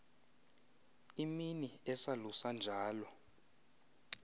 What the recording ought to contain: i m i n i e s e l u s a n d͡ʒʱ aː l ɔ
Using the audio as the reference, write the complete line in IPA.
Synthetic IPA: i m i n i ɛ s a l u s a n d͡ʒʱ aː l ɔ